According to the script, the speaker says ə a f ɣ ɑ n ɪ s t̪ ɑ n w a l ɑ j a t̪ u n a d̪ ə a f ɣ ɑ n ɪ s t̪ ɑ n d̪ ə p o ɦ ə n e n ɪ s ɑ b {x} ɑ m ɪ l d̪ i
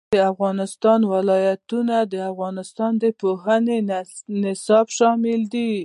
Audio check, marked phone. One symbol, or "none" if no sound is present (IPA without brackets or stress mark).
ʃ